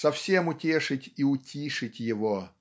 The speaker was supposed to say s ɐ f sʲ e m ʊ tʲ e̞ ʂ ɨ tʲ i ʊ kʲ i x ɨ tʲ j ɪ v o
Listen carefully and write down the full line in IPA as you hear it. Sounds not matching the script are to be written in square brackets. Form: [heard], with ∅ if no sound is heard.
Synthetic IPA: s ɐ f sʲ e m ʊ tʲ e̞ ʂ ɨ tʲ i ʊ [tʲ] i [ʂ] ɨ tʲ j ɪ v o